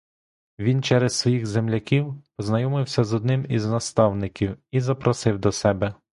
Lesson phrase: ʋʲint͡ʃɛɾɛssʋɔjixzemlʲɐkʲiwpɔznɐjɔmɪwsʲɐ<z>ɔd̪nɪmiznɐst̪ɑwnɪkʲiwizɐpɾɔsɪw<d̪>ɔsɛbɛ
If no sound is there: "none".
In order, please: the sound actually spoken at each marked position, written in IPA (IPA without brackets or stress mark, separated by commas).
z, d̪